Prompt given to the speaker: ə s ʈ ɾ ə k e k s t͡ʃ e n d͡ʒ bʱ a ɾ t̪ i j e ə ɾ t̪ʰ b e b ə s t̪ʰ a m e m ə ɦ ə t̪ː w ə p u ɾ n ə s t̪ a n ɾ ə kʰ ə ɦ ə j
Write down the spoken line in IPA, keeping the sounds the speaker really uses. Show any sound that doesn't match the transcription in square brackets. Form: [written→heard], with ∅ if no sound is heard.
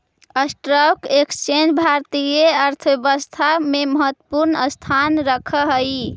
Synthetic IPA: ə s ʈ ɾ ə k e k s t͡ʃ e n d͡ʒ bʱ a ɾ t̪ i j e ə ɾ t̪ʰ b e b ə s t̪ʰ a m e m ə ɦ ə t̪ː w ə p u ɾ n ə s [t̪→t̪ʰ] a n ɾ ə kʰ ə ɦ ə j